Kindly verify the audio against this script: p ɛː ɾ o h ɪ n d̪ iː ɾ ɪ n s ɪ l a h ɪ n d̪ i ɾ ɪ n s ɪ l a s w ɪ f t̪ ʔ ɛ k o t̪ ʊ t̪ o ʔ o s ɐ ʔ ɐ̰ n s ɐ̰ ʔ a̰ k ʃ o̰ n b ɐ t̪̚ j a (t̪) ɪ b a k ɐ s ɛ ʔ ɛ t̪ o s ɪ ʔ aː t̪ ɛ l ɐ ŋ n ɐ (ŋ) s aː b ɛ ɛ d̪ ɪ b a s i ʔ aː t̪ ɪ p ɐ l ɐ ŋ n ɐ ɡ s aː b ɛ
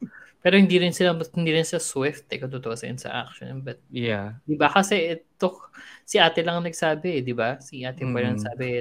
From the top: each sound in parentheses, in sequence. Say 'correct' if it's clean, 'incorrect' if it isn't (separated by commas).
incorrect, incorrect